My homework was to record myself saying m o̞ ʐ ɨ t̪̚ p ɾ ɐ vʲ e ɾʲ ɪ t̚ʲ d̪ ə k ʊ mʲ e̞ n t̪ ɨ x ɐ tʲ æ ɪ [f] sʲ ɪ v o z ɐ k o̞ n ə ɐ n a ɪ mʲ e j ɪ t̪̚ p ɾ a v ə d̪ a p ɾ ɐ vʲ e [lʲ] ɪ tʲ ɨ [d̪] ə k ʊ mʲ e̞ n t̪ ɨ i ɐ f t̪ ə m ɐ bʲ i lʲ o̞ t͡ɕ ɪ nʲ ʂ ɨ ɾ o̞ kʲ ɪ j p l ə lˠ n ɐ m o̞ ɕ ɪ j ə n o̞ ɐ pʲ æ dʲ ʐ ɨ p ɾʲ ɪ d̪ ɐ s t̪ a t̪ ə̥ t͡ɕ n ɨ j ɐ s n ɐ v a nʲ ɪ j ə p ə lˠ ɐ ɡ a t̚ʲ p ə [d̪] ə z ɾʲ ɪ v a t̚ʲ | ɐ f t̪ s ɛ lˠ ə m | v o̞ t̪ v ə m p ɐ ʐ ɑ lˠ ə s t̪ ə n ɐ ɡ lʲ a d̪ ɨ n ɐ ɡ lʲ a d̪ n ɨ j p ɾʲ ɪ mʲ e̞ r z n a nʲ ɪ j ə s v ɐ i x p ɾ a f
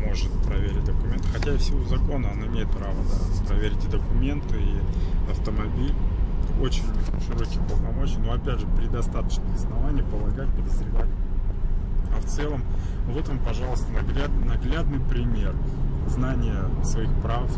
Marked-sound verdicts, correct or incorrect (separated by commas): correct, incorrect, correct, correct